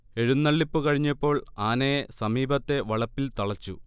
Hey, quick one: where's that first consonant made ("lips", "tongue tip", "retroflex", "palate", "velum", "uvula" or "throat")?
retroflex